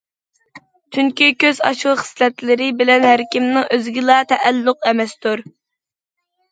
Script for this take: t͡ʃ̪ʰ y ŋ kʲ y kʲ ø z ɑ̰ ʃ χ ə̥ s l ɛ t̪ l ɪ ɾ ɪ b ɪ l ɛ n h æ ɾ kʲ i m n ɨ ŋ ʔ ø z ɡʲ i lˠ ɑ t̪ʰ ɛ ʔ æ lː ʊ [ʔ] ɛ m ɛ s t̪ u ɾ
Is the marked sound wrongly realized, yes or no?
yes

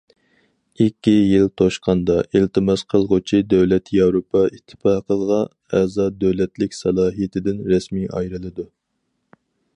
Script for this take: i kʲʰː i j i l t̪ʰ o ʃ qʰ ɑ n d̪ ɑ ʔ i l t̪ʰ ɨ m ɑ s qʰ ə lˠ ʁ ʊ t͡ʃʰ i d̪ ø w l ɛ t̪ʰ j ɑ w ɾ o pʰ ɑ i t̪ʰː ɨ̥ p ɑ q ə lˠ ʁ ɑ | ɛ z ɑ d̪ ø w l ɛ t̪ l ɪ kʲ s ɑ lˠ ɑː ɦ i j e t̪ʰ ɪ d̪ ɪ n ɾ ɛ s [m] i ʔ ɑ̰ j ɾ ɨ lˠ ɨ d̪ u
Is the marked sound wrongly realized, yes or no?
no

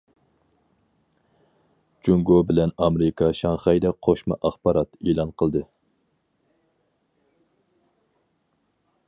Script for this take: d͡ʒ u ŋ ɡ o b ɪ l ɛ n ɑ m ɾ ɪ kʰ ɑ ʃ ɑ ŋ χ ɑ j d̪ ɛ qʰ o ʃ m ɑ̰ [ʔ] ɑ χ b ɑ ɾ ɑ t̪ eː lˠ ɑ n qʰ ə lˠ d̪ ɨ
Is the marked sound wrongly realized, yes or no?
no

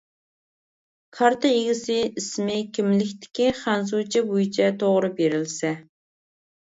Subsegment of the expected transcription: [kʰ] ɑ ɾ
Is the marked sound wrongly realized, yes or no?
no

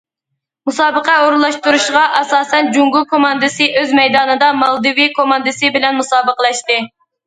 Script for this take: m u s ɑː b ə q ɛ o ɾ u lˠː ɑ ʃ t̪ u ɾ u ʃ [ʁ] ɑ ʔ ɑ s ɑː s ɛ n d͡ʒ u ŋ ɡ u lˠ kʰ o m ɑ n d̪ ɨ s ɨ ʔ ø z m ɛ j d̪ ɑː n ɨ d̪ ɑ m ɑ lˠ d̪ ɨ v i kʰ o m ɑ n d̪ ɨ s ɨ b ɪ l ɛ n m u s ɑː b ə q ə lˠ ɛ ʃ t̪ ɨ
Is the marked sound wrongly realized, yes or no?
no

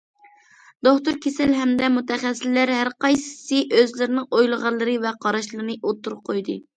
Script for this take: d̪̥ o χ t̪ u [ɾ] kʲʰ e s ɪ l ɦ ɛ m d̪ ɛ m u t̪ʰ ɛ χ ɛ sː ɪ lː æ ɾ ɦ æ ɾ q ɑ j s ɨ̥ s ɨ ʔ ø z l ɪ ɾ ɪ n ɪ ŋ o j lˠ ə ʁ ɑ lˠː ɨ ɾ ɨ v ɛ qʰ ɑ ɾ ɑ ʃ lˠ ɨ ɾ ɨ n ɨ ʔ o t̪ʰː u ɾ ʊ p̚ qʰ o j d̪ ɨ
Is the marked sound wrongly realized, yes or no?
no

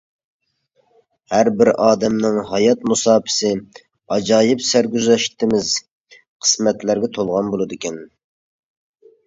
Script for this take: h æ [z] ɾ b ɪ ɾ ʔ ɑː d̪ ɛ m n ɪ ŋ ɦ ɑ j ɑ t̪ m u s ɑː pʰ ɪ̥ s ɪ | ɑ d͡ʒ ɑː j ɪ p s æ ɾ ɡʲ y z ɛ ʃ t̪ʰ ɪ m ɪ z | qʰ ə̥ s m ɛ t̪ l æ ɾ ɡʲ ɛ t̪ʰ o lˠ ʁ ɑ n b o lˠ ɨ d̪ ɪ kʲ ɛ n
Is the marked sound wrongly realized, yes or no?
yes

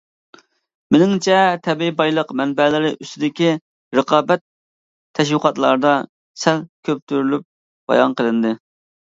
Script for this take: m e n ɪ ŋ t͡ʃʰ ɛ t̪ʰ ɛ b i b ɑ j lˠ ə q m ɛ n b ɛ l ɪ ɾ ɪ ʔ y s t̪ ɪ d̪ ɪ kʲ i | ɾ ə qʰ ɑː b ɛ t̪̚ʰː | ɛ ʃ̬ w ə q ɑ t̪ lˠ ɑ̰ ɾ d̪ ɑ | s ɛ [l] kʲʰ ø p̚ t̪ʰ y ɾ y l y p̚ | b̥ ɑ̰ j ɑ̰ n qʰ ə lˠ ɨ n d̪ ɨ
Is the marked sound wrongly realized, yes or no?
no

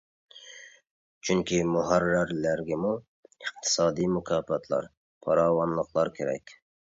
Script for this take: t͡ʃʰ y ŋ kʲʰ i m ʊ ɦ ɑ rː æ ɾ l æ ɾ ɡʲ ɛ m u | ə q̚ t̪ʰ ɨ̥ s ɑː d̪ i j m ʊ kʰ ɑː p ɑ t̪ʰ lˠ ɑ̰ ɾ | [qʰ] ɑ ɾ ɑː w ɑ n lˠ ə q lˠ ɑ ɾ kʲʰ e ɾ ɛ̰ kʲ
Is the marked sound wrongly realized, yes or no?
yes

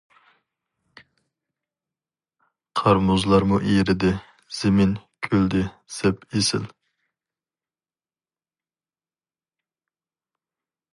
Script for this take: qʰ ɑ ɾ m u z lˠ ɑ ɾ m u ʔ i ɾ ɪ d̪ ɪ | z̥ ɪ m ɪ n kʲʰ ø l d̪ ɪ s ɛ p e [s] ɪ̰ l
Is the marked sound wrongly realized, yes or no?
no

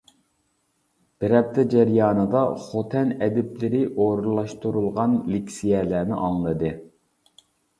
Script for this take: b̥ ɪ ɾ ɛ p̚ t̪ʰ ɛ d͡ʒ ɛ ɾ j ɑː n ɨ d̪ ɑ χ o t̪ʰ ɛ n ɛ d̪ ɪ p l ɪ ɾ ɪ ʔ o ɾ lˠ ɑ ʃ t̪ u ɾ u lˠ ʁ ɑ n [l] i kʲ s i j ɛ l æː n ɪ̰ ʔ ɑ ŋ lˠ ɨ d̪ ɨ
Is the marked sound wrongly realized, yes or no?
no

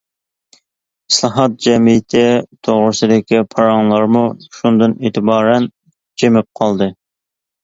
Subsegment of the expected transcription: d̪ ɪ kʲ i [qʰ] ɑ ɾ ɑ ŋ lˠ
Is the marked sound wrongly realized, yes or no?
yes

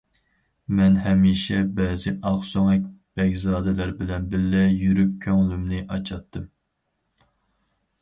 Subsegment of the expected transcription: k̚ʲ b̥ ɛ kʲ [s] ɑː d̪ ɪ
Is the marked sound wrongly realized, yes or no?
yes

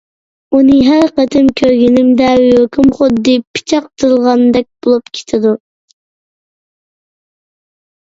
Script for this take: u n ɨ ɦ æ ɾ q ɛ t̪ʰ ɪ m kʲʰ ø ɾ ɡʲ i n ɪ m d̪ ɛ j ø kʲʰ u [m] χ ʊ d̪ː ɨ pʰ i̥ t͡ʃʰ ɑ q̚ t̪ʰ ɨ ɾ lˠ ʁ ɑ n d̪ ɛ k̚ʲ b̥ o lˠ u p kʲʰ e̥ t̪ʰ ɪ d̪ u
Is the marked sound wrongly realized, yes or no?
no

